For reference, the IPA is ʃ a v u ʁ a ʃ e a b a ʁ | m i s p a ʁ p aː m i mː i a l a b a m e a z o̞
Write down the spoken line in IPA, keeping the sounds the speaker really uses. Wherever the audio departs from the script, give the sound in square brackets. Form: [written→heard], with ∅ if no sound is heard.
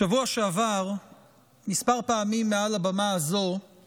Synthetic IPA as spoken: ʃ a v u [ʁ→∅] a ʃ e a [b→v] a ʁ | m i s p a ʁ p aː m i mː [i→e] a l a b a m [e→a] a z o̞